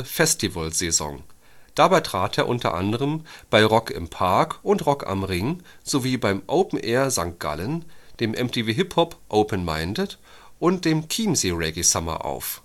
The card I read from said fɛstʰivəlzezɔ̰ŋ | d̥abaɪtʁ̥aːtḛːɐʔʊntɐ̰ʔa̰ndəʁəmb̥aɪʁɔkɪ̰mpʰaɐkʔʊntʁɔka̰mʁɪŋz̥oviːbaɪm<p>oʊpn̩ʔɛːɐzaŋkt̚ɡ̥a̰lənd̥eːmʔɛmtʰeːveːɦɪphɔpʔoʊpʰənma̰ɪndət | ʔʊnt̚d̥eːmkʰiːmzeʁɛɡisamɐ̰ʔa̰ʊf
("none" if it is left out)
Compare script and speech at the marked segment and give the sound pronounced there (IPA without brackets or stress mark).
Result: ʔ